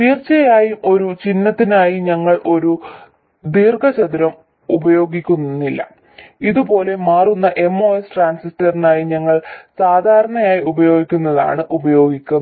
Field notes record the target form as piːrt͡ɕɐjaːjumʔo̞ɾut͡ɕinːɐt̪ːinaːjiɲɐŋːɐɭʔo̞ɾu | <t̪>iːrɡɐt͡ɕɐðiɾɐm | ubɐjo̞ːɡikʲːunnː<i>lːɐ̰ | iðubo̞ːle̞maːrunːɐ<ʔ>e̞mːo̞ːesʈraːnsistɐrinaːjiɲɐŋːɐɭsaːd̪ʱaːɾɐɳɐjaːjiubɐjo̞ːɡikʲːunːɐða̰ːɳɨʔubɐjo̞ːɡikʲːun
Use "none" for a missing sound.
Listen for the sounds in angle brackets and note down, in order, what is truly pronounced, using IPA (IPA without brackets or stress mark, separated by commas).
d̪, i, ʔ